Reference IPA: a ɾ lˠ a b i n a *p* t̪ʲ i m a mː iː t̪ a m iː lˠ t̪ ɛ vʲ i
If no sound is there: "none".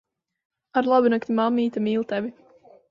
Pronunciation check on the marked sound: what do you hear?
k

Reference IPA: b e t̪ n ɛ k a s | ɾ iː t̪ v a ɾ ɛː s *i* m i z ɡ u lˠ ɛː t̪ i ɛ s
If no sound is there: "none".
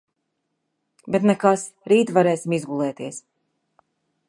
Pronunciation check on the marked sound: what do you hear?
i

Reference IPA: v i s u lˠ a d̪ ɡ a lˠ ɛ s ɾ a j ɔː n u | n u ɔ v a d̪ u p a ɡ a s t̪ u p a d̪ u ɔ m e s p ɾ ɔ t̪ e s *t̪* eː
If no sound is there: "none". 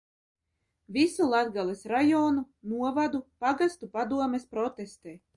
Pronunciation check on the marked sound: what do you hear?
t̪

